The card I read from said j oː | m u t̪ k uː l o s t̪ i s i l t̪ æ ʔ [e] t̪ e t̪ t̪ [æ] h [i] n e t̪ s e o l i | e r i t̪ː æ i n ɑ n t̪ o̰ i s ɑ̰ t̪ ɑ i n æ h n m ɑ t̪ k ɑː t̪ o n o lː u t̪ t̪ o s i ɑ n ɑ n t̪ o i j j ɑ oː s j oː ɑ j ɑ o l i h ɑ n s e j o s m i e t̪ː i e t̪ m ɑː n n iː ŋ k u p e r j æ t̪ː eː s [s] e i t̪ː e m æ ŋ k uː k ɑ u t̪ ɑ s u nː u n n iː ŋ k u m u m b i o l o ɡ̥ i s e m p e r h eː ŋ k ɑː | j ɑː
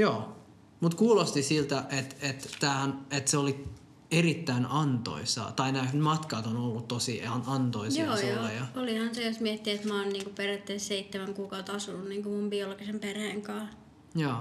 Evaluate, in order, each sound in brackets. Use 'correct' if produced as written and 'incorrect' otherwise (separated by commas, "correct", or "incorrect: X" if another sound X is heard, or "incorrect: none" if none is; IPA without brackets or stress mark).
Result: correct, incorrect: æː, incorrect: æ, correct